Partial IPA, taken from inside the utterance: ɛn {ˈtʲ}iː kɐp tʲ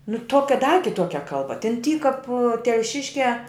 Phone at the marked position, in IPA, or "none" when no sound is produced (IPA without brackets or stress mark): tʲ